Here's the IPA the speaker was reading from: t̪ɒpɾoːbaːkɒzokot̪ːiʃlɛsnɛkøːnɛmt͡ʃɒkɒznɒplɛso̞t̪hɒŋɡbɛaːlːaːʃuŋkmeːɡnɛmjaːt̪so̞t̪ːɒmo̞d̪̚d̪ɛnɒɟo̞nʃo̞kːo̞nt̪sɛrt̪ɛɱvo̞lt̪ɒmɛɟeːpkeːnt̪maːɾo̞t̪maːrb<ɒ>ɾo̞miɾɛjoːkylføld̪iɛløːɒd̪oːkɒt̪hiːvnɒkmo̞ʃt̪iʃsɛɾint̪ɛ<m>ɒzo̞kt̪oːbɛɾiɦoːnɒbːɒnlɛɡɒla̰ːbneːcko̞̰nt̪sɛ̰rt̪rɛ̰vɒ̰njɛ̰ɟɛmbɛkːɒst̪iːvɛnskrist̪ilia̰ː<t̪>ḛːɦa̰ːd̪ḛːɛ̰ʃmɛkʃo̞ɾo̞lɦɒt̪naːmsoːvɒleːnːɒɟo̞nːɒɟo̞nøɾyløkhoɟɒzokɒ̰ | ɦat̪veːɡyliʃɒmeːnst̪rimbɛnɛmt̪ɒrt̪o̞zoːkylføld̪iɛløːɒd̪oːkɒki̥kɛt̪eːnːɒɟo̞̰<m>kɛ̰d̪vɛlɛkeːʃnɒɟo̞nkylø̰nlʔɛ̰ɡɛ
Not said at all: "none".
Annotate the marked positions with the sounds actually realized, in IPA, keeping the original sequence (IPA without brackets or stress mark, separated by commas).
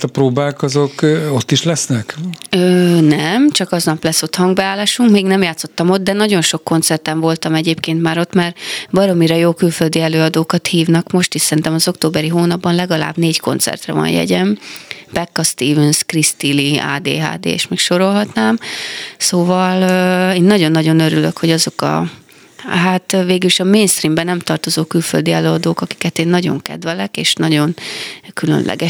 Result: ɒ, m, d̪, ŋ